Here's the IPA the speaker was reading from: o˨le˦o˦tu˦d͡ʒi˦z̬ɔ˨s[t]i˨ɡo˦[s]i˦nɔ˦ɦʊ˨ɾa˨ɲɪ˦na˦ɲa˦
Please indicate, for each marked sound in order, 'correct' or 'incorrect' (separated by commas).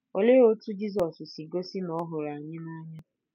incorrect, correct